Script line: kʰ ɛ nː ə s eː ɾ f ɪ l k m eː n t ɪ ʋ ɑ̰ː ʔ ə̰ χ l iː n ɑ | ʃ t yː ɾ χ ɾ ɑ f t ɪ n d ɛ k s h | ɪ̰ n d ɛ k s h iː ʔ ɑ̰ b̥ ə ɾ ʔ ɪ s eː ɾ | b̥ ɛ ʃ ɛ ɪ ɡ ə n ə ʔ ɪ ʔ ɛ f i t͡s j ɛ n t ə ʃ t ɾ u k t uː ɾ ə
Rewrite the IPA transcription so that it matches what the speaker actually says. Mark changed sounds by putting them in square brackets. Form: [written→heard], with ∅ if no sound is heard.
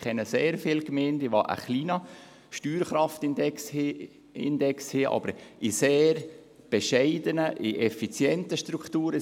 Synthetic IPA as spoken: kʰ ɛ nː ə s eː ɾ f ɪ l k m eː n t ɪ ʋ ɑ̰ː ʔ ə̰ χ l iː n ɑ | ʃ t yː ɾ χ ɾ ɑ f t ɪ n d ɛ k s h | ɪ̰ n d ɛ k s h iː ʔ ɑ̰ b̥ ə ɾ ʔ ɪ s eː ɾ | b̥ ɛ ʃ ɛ ɪ [ɡ→d] ə n ə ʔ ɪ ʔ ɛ f i t͡s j ɛ n t ə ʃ t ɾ u k t uː ɾ ə